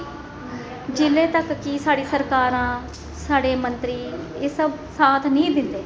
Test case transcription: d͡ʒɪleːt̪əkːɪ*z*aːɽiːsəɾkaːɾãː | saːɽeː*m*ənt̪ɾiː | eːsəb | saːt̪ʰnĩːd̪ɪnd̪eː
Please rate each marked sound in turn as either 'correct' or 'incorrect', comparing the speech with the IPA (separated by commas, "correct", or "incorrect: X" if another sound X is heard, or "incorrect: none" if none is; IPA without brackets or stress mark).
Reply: incorrect: s, correct